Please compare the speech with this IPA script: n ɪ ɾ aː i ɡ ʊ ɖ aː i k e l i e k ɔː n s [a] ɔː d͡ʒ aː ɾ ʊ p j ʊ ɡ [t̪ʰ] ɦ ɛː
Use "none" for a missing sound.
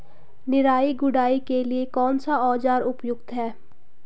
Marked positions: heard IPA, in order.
a, t̪

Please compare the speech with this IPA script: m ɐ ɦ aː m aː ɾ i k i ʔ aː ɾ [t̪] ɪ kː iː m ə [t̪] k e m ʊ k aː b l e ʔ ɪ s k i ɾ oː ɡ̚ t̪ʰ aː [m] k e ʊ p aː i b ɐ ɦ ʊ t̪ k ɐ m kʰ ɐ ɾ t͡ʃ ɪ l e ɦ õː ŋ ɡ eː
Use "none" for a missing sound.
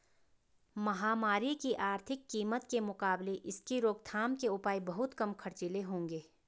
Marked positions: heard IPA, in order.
t̪ʰ, t̪, m

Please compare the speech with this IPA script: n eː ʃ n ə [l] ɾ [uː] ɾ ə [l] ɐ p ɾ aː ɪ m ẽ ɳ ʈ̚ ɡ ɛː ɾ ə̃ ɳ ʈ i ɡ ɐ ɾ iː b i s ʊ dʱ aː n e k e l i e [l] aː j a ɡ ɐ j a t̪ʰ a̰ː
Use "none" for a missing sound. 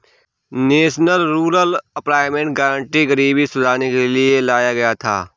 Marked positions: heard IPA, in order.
l, uː, l, l

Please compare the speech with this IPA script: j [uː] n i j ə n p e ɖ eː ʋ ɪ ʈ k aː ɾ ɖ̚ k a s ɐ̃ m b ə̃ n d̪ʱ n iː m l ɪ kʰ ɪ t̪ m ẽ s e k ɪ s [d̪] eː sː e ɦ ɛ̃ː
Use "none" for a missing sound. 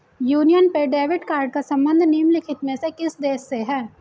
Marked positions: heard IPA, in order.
uː, d̪

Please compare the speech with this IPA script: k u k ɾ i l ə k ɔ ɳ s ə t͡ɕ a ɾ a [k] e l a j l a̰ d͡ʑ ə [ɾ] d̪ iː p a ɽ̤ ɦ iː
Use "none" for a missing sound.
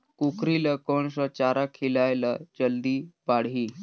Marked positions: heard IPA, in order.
kʰ, l

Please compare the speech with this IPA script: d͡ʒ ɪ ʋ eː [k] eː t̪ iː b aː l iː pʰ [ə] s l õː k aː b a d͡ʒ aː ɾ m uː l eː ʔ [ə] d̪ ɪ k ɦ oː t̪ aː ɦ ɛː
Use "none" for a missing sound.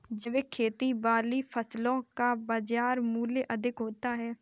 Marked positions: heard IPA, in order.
kʰ, ə, ə

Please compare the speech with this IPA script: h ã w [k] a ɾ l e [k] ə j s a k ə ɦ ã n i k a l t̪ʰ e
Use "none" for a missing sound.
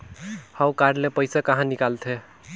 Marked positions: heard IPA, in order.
k, p

